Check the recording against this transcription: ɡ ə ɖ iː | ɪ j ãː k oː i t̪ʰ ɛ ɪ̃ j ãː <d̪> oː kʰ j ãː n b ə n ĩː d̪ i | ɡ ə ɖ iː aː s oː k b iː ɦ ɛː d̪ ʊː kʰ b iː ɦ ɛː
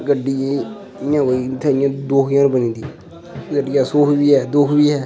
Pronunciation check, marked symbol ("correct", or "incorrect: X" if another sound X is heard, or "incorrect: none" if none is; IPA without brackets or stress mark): correct